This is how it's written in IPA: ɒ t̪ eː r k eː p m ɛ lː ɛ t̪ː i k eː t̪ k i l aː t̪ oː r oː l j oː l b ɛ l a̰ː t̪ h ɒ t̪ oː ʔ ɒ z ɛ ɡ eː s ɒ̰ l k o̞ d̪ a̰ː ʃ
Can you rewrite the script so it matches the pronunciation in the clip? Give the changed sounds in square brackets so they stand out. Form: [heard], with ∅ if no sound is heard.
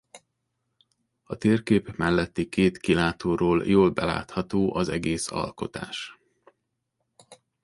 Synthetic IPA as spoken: ɒ t̪ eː r k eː p m ɛ lː ɛ t̪ː i k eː t̪ k i l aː t̪ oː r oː l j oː l b ɛ l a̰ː t̪ h ɒ t̪ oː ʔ ɒ z ɛ ɡ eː s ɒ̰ l k o̞ [t̪] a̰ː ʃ